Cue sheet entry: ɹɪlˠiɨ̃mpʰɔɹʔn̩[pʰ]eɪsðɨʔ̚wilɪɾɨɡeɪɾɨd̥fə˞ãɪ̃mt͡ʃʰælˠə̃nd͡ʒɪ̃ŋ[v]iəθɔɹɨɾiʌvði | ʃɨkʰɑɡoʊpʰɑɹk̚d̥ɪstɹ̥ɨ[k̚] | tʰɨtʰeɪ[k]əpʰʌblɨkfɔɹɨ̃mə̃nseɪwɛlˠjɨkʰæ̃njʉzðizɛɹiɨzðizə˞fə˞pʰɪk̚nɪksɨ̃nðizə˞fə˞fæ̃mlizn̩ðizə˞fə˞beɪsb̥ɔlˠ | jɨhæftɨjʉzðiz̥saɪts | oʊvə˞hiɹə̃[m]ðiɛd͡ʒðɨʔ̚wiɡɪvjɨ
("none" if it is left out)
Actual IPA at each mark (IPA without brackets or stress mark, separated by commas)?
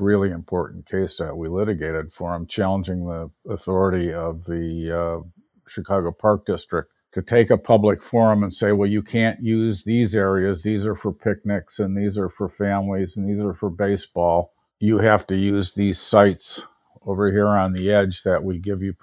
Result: kʰ, ð, k̚, k, n